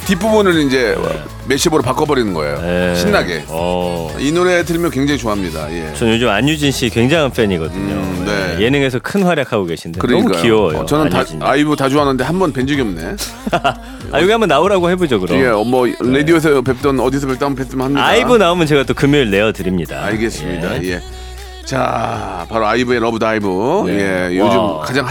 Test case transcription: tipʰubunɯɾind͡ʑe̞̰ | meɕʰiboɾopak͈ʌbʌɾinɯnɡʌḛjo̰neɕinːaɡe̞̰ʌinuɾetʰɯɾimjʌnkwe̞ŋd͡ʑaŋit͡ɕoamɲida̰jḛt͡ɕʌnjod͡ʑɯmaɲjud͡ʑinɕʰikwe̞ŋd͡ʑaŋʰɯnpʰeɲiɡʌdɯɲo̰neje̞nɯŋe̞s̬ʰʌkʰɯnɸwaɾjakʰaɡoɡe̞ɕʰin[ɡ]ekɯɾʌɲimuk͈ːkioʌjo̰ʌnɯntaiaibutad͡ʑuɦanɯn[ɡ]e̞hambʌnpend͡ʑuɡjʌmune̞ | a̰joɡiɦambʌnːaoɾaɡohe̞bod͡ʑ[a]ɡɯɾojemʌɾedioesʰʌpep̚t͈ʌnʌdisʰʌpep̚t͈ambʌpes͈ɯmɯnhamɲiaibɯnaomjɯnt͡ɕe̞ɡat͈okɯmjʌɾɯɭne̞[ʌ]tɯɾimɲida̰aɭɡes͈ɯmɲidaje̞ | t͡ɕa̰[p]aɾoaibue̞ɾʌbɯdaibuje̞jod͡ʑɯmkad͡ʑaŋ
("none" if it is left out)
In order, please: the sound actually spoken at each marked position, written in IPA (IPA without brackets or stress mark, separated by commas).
d, d, ʌ, ʌ, p